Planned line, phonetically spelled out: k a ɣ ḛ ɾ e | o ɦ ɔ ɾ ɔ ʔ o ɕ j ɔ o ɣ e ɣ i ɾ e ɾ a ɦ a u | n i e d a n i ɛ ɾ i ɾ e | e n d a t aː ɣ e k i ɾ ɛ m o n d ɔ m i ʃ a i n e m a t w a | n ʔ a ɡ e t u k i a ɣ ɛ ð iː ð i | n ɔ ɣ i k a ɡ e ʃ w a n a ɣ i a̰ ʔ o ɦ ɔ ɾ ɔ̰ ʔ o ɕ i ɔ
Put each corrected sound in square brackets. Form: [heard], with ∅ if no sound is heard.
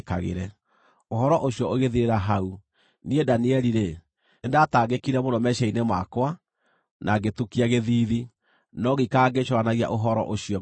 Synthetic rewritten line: k a ɣ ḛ ɾ [ɛ] | o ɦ ɔ ɾ ɔ ʔ o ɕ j ɔ o ɣ e [ð] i ɾ e ɾ a ɦ a u | n i e d a n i ɛ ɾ i ɾ e | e n d a t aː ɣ e k i ɾ ɛ m o n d ɔ m [ɛ] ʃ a i n e m a [k] w a | n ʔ a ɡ e t u k i a ɣ [e] ð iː ð i | n ɔ ɣ i k a ɡ e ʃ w a n a ɣ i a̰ ʔ o ɦ ɔ ɾ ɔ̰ ʔ o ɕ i ɔ